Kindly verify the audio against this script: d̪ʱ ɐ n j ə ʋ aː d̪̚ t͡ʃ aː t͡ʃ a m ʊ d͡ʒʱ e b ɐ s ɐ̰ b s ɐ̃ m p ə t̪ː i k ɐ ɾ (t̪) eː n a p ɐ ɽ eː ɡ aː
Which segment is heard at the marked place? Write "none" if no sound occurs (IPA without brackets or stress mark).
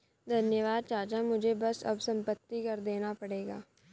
d̪